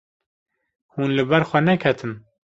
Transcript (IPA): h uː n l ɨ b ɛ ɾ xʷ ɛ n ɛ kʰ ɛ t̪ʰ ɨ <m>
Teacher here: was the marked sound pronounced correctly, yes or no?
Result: no